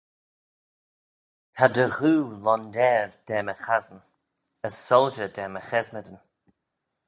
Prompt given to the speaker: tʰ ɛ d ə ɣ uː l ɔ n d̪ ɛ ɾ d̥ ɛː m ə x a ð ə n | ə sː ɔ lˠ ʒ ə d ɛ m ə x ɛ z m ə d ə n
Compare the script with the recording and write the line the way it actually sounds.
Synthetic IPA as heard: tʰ a d ə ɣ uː l ɔ n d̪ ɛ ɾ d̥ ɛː m ə x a z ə n | ə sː ɔ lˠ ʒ ə d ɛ m ə x ɛ z m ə d ə n